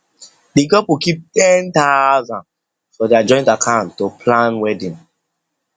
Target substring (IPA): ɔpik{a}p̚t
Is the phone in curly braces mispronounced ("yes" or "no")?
yes